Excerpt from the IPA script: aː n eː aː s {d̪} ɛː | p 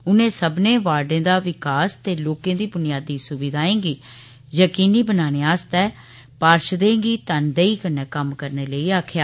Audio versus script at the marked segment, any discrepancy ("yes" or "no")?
yes